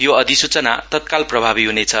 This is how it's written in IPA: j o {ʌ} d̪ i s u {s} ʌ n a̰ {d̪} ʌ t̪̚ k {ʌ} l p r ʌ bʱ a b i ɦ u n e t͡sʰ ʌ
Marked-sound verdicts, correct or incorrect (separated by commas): correct, incorrect, incorrect, incorrect